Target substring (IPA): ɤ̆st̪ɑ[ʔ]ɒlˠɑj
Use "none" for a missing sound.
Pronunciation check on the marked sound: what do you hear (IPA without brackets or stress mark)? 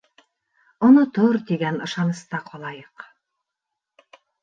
q